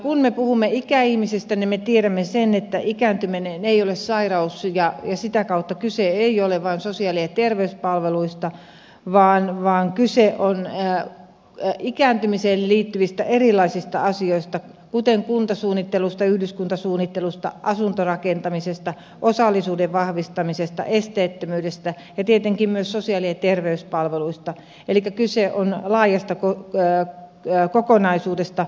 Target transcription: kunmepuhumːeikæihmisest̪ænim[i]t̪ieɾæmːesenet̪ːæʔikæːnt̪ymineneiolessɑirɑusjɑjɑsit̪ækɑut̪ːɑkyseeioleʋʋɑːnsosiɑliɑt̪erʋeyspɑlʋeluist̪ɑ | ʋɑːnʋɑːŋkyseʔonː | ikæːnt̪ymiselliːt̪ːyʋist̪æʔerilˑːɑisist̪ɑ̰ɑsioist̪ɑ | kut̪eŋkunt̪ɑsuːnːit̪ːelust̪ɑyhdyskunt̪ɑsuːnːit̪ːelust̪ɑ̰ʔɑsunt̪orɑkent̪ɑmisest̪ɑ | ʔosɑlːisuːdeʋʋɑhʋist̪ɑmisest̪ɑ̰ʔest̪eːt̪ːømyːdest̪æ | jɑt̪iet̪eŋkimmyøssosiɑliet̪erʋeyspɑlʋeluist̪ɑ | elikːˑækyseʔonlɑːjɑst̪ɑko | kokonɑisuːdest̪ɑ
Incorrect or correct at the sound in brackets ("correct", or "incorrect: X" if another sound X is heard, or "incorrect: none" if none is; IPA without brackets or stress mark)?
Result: incorrect: e